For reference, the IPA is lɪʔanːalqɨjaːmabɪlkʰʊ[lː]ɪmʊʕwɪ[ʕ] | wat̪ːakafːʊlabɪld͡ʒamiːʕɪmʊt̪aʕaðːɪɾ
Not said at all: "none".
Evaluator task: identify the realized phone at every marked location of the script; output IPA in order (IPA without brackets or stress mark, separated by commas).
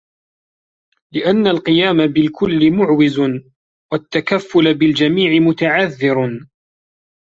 lː, z